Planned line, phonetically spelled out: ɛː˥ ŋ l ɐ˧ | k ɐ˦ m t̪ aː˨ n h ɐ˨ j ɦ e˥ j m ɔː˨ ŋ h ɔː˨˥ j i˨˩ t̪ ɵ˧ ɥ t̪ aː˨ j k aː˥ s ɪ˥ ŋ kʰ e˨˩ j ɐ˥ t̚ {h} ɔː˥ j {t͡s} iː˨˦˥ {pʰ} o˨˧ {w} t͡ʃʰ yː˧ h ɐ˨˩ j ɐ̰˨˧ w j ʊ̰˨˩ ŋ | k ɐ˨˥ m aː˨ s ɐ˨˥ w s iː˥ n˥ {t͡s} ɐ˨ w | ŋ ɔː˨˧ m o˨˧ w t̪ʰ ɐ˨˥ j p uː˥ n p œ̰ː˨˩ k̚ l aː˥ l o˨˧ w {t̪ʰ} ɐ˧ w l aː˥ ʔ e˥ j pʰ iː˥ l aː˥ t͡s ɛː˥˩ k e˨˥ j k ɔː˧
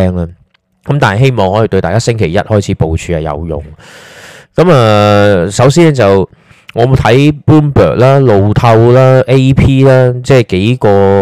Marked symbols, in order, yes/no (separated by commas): yes, no, no, yes, yes, yes